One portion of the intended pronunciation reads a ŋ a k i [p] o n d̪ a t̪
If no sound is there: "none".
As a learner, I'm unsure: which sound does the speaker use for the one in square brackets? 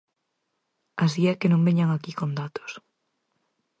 k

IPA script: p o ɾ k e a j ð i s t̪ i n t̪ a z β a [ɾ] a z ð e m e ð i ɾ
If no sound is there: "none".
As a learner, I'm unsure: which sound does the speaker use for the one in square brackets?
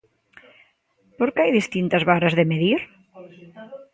ɾ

